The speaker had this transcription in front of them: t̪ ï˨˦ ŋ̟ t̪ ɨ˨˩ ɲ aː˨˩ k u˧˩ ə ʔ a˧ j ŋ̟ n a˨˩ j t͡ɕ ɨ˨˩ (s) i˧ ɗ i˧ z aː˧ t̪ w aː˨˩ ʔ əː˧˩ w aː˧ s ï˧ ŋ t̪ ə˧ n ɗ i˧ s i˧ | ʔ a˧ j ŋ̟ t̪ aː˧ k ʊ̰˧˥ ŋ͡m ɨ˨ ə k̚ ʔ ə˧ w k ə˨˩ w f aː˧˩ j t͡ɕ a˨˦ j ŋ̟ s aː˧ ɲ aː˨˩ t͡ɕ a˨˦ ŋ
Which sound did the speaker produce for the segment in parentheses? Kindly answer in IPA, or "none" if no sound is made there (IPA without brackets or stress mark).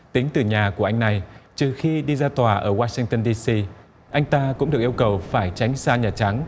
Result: x